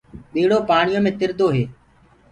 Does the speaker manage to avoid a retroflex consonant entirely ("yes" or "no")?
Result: no